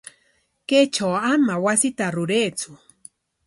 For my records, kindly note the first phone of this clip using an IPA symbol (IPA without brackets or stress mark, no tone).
k